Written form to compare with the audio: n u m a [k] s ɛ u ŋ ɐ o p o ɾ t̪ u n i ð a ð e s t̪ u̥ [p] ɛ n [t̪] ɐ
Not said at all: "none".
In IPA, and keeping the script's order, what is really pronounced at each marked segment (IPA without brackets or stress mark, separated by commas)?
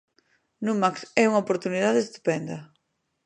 k, p, d̪